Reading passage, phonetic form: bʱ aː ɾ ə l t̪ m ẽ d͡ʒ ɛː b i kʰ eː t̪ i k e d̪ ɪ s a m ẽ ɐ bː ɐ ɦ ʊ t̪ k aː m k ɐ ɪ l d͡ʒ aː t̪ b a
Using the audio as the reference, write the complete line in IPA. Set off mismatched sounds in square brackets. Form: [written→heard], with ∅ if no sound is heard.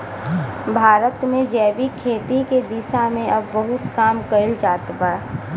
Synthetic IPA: bʱ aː ɾ ə [l→∅] t̪ m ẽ d͡ʒ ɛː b i kʰ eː t̪ i k e d̪ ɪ s a m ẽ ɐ bː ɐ ɦ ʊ t̪ k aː m k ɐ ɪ l d͡ʒ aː t̪ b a

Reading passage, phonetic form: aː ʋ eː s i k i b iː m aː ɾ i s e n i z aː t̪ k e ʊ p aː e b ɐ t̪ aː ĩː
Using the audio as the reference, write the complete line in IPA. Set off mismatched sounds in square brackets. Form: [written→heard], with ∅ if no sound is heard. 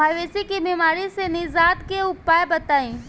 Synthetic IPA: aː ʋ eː s i k i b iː m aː ɾ i s e n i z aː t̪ k e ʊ p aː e b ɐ t̪ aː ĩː

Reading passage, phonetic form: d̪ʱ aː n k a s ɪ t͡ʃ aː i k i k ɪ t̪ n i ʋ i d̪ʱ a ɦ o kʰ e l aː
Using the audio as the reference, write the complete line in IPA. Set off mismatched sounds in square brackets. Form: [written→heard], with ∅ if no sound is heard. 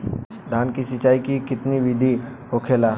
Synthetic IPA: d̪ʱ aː n k [a→i] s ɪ t͡ʃ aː i k i k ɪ t̪ n i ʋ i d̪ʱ [a→i] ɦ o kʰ e l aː

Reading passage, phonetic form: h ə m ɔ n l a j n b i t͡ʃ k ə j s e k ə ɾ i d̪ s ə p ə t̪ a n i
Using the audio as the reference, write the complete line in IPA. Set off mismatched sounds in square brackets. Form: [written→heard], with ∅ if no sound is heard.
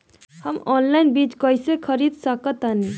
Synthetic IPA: h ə m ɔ n l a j n b i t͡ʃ k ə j s e [k→kʰ] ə ɾ i d̪ s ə [p→k] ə t̪ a n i

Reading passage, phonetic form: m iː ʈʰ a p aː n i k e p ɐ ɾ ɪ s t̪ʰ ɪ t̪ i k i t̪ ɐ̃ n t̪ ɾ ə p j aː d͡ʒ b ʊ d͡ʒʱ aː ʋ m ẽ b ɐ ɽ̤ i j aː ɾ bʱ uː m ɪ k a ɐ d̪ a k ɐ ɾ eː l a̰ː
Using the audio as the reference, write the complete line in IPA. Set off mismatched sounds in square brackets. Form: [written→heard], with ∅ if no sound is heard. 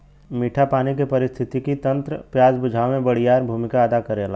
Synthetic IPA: m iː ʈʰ a p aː n i k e p ɐ ɾ ɪ s t̪ʰ ɪ t̪ i k i t̪ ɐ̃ n t̪ ɾ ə p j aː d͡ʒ b ʊ d͡ʒʱ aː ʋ m ẽ b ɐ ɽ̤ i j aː ɾ bʱ uː m ɪ k a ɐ d̪ a k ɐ ɾ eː l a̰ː

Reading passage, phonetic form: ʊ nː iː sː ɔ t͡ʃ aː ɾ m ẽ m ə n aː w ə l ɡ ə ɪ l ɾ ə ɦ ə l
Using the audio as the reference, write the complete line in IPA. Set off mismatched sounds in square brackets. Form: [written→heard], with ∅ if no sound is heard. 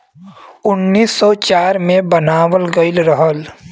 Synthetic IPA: ʊ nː iː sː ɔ t͡ʃ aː ɾ m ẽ [m→b] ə n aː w ə l ɡ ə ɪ l ɾ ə ɦ ə l

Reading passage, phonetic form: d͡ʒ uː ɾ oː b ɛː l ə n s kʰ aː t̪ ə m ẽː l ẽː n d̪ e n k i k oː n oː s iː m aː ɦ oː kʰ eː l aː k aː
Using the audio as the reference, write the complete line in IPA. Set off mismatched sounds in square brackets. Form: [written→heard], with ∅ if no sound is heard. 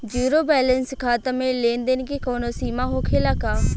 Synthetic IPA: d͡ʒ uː ɾ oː b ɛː l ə n s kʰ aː t̪ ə m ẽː l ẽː n d̪ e n k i k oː n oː s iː m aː ɦ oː kʰ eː l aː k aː

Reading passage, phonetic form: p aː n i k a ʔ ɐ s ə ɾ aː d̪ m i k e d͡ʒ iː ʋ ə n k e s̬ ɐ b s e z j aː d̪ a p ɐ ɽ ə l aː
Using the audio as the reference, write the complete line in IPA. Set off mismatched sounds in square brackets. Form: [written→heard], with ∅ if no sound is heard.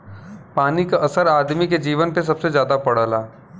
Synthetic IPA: p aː n i k a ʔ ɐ s ə ɾ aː d̪ m i k e d͡ʒ iː ʋ ə n [k→p] e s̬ ɐ b s e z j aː d̪ a p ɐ ɽ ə l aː

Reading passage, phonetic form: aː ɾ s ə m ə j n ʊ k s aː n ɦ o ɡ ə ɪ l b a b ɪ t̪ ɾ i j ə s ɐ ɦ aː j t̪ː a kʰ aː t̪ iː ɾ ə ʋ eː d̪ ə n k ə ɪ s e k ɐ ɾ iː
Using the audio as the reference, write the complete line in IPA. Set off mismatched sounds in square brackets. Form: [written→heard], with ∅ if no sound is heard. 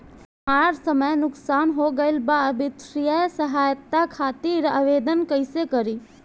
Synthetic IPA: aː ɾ s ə m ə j n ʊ k s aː n ɦ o ɡ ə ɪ l b a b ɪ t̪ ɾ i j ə s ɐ ɦ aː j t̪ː a kʰ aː t̪ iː ɾ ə ʋ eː d̪ ə n k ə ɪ s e k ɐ ɾ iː

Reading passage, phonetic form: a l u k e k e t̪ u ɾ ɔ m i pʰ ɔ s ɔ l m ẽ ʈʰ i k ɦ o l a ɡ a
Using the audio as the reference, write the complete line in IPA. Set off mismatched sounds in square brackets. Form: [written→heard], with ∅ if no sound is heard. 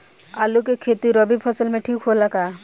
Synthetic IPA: a l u k e [k→kʰ] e t̪ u ɾ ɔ [m→b] i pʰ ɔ s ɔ l m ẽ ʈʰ i k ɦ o l a [ɡ→k] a

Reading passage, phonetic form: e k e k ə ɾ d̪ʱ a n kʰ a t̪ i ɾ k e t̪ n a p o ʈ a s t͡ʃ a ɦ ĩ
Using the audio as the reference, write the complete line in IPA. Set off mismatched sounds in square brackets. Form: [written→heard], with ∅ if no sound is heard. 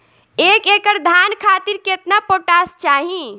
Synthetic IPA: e k e k ə ɾ d̪ʱ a n kʰ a t̪ i ɾ k e t̪ n a p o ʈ a s t͡ʃ a ɦ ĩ

